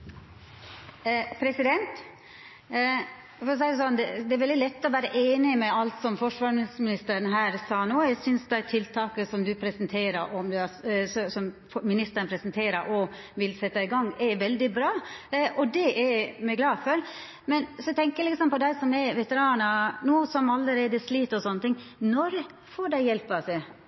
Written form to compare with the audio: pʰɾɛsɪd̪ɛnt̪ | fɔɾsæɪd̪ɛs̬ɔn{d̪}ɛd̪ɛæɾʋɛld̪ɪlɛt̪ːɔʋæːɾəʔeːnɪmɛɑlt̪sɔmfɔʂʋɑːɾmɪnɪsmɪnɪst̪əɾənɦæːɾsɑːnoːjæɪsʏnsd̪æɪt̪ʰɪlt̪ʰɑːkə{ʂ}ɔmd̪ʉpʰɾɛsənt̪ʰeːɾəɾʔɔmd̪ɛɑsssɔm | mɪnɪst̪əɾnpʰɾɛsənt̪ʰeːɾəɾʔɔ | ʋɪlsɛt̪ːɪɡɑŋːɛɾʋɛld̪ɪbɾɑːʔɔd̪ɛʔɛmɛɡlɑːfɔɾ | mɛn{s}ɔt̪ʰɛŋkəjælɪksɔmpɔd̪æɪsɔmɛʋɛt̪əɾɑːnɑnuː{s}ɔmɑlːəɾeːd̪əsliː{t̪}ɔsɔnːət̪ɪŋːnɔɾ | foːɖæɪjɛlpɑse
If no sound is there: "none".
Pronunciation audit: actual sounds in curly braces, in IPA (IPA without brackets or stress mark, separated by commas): d̪, s, s, s, t̪